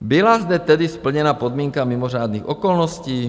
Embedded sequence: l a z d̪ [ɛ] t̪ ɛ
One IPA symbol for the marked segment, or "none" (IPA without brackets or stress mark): ɛ